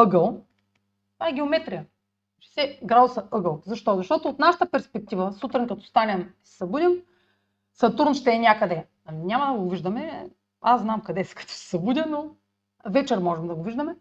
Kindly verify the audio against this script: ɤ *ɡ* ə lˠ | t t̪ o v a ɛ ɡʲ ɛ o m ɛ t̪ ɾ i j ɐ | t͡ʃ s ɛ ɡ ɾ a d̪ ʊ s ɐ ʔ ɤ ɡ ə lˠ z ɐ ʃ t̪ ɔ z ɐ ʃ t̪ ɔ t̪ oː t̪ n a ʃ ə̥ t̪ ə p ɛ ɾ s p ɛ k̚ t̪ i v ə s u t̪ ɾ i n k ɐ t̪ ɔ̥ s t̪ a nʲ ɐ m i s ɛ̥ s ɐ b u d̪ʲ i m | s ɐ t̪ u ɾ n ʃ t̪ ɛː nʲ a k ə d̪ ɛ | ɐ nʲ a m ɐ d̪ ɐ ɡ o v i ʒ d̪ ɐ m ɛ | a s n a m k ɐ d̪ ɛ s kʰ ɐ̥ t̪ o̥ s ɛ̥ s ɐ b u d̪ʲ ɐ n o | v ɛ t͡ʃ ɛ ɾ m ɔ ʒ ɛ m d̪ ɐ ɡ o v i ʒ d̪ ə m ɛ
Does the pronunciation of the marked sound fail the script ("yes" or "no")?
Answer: no